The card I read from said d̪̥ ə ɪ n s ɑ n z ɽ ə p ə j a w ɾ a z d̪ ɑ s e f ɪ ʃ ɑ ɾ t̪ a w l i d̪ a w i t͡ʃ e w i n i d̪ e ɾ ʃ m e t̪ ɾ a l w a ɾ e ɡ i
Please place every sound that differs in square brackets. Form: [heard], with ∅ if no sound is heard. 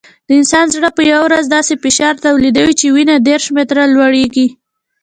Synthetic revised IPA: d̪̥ ə ɪ n s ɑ n z ɽ ə p ə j a w ɾ a z d̪ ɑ s e f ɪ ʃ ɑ ɾ t̪ a w l i d̪ a w i t͡ʃ e w i n [a] d̪ e ɾ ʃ m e t̪ ɾ a l w a [ɽ] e ɡ i